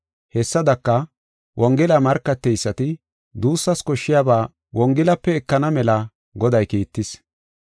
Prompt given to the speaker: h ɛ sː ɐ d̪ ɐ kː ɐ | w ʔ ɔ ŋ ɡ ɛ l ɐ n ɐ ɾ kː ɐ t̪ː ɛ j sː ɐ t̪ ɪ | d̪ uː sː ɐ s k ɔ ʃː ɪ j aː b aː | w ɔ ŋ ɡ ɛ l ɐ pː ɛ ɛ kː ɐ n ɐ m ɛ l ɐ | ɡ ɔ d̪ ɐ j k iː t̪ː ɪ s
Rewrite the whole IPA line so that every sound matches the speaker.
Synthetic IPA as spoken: h ɛ sː ɐ d̪ ɐ kː ɐ | w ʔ ɔ ŋ ɡ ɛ l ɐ m ɐ ɾ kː ɐ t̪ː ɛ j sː ɐ t̪ ɪ | d̪ uː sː ɐ s k ɔ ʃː ɪ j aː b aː | w ɔ ŋ ɡ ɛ l ɐ pː ɛ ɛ kː ɐ n ɐ m ɛ l ɐ | ɡ ɔ d̪ ɐ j k iː t̪ː ɪ s